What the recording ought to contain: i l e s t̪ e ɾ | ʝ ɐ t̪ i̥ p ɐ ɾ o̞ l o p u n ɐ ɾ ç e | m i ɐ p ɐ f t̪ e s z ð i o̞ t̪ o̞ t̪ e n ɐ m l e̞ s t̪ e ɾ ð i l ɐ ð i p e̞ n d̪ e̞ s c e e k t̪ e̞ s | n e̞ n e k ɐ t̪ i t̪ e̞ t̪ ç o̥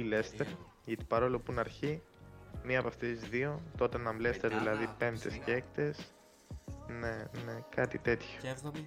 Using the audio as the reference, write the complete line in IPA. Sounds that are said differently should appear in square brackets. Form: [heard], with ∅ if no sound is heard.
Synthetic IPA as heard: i l e s t̪ e ɾ | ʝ ɐ t̪ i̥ p ɐ ɾ o̞ l o p u n ɐ ɾ ç [i] | m i ɐ p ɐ f t̪ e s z ð i o̞ t̪ o̞ t̪ e n ɐ m l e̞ s t̪ e ɾ ð i l ɐ ð i p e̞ n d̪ e̞ s c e e k t̪ e̞ s | n e̞ n e k ɐ t̪ i t̪ e̞ t̪ ç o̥